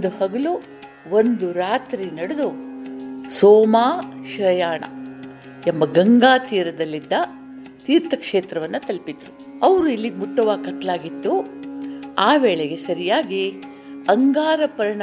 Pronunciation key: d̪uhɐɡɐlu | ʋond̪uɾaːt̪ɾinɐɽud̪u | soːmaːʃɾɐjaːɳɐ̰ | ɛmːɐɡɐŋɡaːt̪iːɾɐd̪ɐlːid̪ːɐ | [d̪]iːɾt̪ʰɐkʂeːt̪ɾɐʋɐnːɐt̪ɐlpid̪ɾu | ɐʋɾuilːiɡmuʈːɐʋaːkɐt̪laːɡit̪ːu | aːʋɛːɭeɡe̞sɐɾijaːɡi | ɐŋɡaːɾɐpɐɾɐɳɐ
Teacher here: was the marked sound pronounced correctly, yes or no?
no